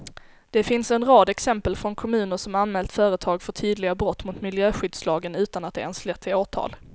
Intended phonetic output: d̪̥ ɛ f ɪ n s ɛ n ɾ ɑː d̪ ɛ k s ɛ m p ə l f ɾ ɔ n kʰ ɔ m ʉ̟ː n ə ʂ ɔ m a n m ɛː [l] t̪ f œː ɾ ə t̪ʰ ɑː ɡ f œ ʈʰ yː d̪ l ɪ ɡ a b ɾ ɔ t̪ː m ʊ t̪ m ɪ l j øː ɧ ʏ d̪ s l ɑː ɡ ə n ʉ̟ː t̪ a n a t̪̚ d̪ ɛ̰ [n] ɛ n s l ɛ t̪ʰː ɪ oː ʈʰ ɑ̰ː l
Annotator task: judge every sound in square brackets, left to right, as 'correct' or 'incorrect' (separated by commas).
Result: correct, incorrect